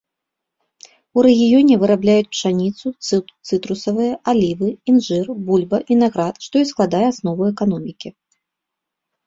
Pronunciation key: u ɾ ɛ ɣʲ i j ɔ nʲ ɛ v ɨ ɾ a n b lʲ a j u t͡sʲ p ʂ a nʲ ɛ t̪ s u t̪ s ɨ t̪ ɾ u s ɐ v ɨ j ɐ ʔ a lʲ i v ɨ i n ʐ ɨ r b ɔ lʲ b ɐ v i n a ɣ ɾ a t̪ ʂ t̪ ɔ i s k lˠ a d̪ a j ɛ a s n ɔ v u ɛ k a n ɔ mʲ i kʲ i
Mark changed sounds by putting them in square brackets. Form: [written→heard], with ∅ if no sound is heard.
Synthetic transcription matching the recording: u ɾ ɛ ɣʲ i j ɔ nʲ ɛ v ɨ ɾ a [n→∅] b lʲ a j u t͡sʲ p ʂ a nʲ [ɛ→i] t̪ s u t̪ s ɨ t̪ ɾ u s ɐ v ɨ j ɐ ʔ a lʲ i v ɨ i n ʐ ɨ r b [ɔ→u] lʲ b ɐ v i n a ɣ ɾ a t̪ ʂ t̪ ɔ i s k lˠ a d̪ a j ɛ a s n ɔ v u ɛ k a n ɔ mʲ i kʲ i

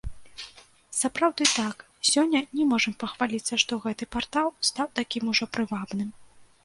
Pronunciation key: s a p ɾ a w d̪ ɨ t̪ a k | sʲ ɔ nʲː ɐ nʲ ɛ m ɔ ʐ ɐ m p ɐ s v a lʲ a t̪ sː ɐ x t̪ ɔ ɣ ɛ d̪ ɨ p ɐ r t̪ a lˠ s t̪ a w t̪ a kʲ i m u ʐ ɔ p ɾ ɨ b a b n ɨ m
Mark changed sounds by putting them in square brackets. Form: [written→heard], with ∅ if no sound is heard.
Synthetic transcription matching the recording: s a p ɾ a w d̪ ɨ t̪ a k | sʲ ɔ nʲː ɐ nʲ ɛ m ɔ ʐ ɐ m p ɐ [s→x] v a lʲ [a→i] t̪ sː ɐ [x→ʂ] t̪ ɔ ɣ ɛ [d̪→t̪] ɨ p [ɐ→a] r t̪ a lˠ s t̪ a w t̪ a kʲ i m u ʐ ɔ p ɾ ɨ [b→v] a b n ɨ m

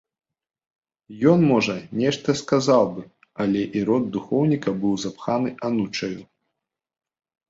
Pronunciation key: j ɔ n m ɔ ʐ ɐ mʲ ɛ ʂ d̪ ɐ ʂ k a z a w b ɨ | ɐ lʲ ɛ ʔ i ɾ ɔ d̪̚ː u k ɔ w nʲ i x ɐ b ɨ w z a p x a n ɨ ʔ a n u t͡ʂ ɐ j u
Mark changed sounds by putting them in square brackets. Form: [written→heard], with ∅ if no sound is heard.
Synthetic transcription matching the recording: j ɔ n m ɔ ʐ ɐ [mʲ→nʲ] ɛ ʂ [d̪→t̪] ɐ [ʂ→s] k a z a w b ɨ | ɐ lʲ ɛ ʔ i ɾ ɔ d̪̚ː u [k→x] ɔ w nʲ i [x→k] ɐ b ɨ w z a p x a n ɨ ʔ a n u t͡ʂ ɐ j u

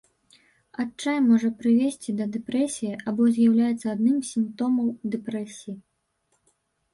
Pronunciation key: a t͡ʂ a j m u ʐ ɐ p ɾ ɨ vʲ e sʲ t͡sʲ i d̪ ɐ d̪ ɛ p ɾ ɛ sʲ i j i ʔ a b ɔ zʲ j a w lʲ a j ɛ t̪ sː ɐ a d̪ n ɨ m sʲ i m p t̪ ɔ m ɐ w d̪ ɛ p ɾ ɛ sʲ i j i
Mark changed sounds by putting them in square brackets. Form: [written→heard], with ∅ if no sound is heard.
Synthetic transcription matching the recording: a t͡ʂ a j m [u→ɔ] ʐ ɐ p ɾ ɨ vʲ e sʲ t͡sʲ i d̪ ɐ d̪ ɛ p ɾ ɛ sʲ i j i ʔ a b ɔ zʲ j a w lʲ a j ɛ t̪ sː ɐ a d̪ n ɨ m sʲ i m p t̪ ɔ m ɐ w d̪ ɛ p ɾ ɛ sʲ i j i

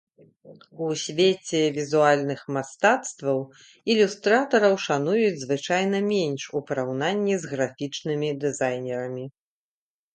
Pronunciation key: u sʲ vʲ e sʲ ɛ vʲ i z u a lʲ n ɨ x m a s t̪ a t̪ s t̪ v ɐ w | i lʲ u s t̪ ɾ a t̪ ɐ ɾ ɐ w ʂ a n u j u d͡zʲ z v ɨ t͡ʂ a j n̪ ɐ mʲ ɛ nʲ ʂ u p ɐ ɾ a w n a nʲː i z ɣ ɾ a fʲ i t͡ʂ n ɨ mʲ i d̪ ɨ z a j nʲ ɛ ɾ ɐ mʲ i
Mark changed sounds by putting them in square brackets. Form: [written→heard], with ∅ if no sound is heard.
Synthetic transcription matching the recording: u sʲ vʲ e [sʲ→t͡sʲ] ɛ vʲ i z u a lʲ n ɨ x m a s t̪ a t̪ s t̪ v ɐ w | i lʲ u s t̪ ɾ a t̪ ɐ ɾ ɐ w ʂ a n u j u d͡zʲ z v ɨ t͡ʂ a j n̪ ɐ mʲ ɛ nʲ ʂ u p ɐ ɾ a w n a nʲː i z ɣ ɾ a fʲ i t͡ʂ n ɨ mʲ i d̪ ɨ z a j nʲ ɛ ɾ ɐ mʲ i

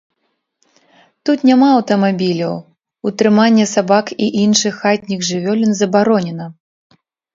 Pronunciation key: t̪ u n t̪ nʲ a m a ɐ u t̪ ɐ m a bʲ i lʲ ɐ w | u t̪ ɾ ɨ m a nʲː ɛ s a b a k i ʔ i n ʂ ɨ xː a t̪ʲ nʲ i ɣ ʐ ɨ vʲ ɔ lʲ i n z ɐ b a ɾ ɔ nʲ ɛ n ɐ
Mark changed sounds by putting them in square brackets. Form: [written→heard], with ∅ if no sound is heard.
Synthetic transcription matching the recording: t̪ u [n→∅] t̪ nʲ a m a ɐ [u→w] t̪ ɐ m a bʲ i lʲ ɐ w | u t̪ ɾ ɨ m a nʲː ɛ s a b a k i ʔ i n ʂ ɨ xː a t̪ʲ nʲ i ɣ ʐ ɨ vʲ ɔ lʲ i n z ɐ b a ɾ ɔ nʲ ɛ n ɐ

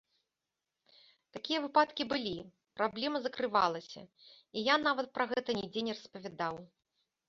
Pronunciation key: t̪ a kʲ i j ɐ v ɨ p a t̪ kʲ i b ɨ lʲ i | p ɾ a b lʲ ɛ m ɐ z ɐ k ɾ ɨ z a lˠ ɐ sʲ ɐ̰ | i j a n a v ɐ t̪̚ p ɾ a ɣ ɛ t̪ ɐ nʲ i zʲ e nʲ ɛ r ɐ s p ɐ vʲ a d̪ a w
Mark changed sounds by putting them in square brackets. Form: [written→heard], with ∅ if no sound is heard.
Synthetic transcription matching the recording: t̪ a kʲ i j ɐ v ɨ p a t̪ kʲ i b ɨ lʲ i | p ɾ a b lʲ ɛ m ɐ z ɐ k ɾ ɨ [z→v] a lˠ ɐ sʲ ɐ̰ | i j a n a v ɐ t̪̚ p ɾ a ɣ ɛ t̪ ɐ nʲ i [zʲ→d͡zʲ] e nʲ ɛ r ɐ s p ɐ vʲ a d̪ a w

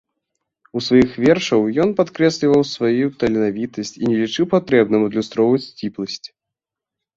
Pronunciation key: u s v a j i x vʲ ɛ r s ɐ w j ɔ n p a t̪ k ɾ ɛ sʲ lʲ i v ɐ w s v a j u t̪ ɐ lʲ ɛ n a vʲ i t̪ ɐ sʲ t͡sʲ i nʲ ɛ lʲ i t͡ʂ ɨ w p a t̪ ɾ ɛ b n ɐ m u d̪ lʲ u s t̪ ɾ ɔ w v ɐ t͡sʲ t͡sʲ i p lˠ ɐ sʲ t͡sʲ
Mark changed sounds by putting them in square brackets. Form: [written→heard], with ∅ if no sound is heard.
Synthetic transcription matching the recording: u s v a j i x vʲ ɛ r [s→ʂ] ɐ w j ɔ n p a t̪ k ɾ ɛ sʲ lʲ i v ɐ w s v a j u t̪ ɐ lʲ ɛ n a vʲ i t̪ ɐ sʲ t͡sʲ i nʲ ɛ lʲ i t͡ʂ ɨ w p a t̪ ɾ ɛ b n ɐ m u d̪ lʲ u s t̪ ɾ ɔ w v ɐ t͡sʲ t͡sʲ i p lˠ ɐ sʲ t͡sʲ

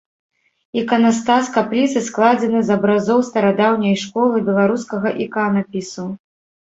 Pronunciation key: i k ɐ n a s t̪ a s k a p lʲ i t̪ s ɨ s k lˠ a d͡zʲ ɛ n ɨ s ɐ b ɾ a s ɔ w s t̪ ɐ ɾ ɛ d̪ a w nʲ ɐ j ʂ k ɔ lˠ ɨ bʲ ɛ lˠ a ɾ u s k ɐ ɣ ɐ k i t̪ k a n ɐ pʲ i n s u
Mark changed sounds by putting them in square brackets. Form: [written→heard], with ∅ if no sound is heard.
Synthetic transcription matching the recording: i k ɐ n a s t̪ a s k a p lʲ i t̪ s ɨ s k lˠ a d͡zʲ ɛ n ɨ [s→z] ɐ b ɾ a [s→z] ɔ w s t̪ ɐ ɾ [ɛ→a] d̪ a w nʲ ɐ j ʂ k ɔ lˠ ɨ bʲ ɛ lˠ a ɾ u s k ɐ ɣ ɐ [k→ʔ] i [t̪→∅] k a n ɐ pʲ i [n→∅] s u

